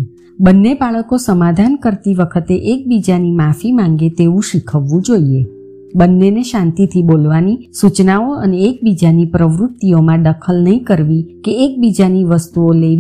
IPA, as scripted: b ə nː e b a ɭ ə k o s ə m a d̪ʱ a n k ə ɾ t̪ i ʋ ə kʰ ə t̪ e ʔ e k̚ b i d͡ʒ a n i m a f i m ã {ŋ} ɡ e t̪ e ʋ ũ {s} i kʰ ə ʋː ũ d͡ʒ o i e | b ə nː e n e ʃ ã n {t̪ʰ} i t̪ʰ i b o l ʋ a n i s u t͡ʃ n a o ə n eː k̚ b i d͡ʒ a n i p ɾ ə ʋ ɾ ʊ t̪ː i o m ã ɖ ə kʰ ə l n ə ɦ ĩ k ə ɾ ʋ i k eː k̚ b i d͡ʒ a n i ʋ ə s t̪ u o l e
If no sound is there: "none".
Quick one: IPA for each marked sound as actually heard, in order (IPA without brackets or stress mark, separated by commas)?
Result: ŋ, ʃ, t̪